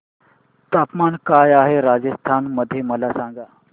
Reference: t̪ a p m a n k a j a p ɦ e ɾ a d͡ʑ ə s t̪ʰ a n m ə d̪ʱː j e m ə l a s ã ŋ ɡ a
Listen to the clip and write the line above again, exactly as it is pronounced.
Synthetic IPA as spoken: t̪ a p m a n k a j a ɦ e ɾ a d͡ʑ ə s t̪ʰ a n m ə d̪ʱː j e m ə l a s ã ŋ ɡ a